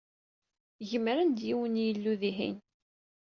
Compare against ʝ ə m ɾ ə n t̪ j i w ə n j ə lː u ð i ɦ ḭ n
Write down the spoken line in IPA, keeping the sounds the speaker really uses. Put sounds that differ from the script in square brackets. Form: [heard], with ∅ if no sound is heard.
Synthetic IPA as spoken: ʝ ə m ɾ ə n [d̪] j i w ə n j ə lː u ð i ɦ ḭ n